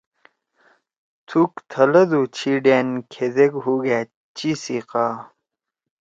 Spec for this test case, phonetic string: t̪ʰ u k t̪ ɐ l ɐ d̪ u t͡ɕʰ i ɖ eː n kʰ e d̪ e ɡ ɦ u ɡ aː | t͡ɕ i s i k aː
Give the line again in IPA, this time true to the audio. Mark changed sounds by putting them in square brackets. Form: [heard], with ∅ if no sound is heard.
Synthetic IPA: t̪ʰ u k [t̪ʰ] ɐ l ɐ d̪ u t͡ɕʰ i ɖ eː n kʰ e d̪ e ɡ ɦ u ɡ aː | t͡ɕ i s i [q] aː